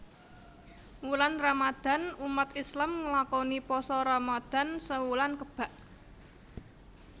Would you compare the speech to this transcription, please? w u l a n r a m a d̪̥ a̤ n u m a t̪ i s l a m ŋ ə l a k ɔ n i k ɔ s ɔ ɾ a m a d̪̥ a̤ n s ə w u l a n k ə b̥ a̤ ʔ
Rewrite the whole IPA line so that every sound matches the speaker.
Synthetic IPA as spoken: w u l a n r a m a d̪̥ a̤ n u m a t̪ i s l a m ŋ ə l a k ɔ n i p ɔ s ɔ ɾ a m a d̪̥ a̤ n s ə w u l a n k ə b̥ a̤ ʔ